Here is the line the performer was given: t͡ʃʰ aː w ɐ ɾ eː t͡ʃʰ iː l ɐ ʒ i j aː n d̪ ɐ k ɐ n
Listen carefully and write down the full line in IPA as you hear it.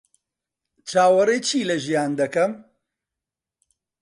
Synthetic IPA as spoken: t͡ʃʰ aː w ɐ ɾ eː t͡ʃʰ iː l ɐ ʒ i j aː n d̪ ɐ k ɐ m